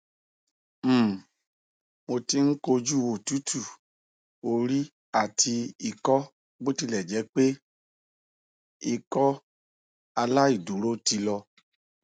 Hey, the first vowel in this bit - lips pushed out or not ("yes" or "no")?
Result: yes